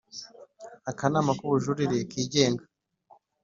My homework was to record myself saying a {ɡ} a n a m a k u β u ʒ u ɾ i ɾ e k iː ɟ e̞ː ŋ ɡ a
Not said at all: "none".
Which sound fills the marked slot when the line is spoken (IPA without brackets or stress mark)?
k